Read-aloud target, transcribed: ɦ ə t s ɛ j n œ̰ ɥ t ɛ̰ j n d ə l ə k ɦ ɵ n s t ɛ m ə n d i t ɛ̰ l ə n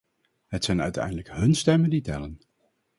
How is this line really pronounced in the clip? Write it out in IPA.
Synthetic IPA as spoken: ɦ ə t s ɛ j n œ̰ ɥ t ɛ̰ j n d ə l ə k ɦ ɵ n s t ɛ m ə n d i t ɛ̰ l ə n